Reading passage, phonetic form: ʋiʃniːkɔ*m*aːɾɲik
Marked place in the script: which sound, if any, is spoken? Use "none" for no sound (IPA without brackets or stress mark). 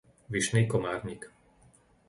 m